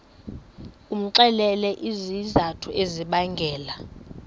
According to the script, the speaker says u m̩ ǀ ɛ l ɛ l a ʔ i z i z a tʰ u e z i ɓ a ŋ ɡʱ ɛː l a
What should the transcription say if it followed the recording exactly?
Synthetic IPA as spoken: u m̩ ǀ ɛ l ɛ l ɛ ʔ i z i z a tʰ u e z i ɓ a ŋ ɡʱ ɛː l a